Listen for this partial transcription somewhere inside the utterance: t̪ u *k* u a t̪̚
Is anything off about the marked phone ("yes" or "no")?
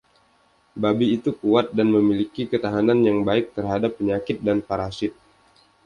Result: no